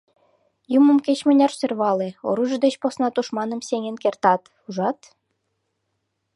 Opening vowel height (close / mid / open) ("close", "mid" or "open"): close